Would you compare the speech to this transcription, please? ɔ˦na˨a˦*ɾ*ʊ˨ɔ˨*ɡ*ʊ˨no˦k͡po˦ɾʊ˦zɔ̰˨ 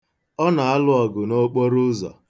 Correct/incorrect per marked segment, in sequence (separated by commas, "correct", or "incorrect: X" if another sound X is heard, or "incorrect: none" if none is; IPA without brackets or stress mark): incorrect: l, correct